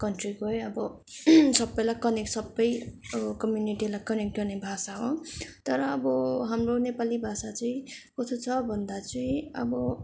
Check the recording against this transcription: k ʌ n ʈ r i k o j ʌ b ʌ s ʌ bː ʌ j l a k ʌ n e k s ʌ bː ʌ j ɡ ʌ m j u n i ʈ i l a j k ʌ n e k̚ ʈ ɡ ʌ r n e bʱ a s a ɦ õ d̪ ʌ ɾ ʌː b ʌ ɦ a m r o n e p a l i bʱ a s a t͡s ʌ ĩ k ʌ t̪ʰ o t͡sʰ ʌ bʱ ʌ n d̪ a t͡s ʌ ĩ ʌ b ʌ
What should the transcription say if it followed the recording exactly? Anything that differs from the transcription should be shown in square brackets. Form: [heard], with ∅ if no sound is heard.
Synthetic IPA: k ʌ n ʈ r i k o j ʌ b ʌ s ʌ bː ʌ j l a k ʌ n e k s ʌ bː ʌ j [k] ʌ m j u n i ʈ i l a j k ʌ n e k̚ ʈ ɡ ʌ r n e bʱ a s a ɦ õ [t̪] ʌ ɾ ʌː b ʌ ɦ a m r o n e p a l i bʱ a s a t͡s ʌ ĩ k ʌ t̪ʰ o t͡sʰ ʌ bʱ ʌ n d̪ a t͡s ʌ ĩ ʌ b ʌ